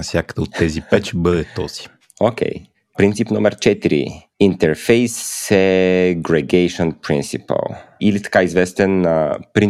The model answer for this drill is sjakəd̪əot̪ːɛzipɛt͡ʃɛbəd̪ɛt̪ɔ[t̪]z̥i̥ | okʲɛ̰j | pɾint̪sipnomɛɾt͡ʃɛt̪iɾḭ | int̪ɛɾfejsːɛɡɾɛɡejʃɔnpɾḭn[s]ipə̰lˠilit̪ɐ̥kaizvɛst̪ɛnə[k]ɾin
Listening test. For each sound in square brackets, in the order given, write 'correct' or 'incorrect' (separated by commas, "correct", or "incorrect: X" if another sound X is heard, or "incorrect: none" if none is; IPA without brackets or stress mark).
incorrect: none, correct, incorrect: p